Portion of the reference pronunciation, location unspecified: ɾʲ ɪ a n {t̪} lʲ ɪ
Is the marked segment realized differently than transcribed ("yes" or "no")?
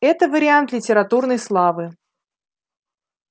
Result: no